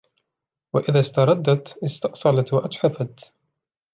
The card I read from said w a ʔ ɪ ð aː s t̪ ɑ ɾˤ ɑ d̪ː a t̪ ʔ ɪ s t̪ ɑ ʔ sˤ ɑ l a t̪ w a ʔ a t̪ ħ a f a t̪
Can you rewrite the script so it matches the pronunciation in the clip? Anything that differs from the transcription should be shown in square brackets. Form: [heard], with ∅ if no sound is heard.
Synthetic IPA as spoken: w a ʔ ɪ ð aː s t̪ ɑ ɾˤ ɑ d̪ː a t̪ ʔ ɪ s t̪ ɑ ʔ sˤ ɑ l a t̪ w a ʔ a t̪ ħ a f a t̪